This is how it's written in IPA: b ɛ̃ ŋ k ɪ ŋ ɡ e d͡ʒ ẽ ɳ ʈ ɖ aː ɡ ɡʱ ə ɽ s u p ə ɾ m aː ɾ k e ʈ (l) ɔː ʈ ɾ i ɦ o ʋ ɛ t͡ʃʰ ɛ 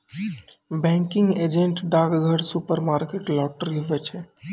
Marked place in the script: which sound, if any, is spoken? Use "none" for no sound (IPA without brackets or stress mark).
l